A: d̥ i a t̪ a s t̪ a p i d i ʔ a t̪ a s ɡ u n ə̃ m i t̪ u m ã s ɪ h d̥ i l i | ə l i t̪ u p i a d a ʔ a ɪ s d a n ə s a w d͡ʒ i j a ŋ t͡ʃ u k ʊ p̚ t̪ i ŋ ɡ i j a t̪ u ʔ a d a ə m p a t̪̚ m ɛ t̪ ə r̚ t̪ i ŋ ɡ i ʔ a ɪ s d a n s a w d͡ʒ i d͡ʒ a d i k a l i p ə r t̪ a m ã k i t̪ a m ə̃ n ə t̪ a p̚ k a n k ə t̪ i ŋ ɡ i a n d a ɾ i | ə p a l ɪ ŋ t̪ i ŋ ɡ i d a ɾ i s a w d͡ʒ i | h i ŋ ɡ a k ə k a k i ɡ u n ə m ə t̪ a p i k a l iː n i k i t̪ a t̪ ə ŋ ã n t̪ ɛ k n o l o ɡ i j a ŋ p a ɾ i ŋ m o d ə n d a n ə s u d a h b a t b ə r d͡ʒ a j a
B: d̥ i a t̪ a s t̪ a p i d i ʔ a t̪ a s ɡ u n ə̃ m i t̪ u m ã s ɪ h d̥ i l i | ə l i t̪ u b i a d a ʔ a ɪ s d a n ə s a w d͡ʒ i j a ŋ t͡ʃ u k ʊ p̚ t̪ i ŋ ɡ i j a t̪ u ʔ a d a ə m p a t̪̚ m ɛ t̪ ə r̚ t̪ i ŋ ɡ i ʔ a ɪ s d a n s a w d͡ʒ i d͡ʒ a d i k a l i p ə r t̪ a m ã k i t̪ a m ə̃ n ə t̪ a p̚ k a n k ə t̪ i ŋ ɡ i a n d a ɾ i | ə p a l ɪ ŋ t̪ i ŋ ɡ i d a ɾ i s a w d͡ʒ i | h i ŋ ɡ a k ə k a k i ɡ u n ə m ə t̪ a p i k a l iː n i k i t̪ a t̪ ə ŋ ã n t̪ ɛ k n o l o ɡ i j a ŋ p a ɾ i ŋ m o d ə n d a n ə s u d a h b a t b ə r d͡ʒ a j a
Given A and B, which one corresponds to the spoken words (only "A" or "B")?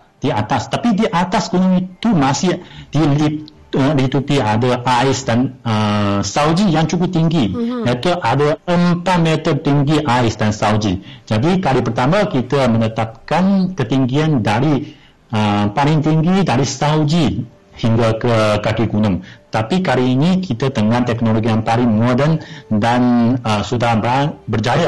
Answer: A